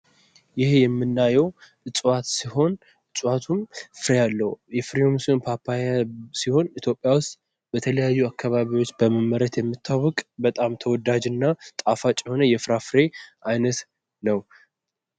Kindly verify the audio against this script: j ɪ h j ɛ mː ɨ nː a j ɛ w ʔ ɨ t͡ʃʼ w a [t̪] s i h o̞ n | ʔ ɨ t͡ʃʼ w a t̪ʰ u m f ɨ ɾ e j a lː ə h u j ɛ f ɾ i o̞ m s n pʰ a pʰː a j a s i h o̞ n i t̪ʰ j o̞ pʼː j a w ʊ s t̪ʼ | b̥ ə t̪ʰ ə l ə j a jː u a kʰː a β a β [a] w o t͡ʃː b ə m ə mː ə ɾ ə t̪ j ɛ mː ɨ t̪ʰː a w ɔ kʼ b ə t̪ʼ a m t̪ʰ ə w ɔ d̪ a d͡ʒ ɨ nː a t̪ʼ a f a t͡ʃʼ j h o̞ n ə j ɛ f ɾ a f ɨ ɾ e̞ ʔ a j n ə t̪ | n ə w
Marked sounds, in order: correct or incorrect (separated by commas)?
correct, incorrect